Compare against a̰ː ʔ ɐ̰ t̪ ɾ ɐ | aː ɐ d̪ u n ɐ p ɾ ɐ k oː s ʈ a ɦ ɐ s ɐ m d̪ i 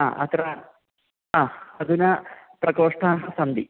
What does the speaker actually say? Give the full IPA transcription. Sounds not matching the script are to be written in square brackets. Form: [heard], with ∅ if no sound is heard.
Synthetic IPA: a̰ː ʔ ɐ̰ t̪ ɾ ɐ | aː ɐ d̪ u n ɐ p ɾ ɐ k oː [ʂ] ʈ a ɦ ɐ s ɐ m d̪ i